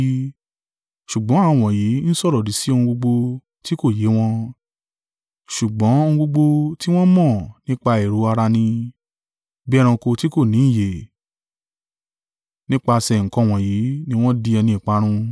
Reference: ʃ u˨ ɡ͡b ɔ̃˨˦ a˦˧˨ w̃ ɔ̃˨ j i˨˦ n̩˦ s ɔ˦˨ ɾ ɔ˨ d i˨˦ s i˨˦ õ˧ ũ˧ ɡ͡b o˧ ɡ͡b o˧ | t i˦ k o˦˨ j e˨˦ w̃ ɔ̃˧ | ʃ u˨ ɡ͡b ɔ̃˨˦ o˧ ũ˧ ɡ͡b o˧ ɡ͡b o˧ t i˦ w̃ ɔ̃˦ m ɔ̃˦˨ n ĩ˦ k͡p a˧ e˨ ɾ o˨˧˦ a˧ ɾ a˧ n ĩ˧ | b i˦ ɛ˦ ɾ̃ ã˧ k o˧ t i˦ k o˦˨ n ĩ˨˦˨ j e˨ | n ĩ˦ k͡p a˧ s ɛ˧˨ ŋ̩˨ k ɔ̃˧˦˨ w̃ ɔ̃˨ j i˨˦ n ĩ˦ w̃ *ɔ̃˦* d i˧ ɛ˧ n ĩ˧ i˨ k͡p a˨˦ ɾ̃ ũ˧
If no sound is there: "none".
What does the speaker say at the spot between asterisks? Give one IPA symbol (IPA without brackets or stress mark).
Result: ɔ̃˦